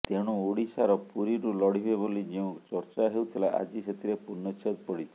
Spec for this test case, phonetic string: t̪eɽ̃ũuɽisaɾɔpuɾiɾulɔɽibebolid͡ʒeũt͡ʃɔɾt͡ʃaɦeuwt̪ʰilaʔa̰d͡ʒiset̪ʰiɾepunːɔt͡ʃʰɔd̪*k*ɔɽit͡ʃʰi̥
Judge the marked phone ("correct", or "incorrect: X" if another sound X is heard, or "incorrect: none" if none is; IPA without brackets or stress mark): incorrect: p